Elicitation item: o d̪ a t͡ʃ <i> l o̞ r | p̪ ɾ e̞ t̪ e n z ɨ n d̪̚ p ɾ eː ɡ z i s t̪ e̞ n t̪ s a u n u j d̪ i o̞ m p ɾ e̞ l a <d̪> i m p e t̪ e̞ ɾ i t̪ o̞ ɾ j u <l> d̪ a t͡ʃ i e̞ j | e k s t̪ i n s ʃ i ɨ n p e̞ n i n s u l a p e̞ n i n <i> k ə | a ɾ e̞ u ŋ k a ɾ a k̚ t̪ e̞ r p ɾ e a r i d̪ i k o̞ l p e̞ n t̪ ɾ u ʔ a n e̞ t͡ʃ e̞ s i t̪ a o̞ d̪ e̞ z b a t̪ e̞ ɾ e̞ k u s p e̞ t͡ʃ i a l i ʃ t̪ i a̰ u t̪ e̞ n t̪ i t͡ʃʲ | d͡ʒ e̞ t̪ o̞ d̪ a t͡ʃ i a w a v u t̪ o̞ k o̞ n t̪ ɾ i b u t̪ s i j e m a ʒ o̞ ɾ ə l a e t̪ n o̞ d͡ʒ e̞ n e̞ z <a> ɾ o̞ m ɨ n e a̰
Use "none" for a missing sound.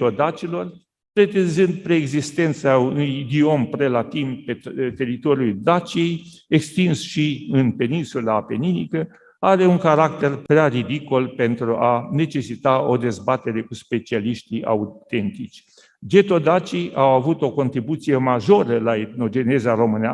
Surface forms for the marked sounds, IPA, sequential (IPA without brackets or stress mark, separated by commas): i, t̪, l, i, a